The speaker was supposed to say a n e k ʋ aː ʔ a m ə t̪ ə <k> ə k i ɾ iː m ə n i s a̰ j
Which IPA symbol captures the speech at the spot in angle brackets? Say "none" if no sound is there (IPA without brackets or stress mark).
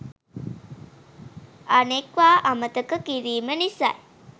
k